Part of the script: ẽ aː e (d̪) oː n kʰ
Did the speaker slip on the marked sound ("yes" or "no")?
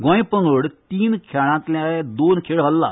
no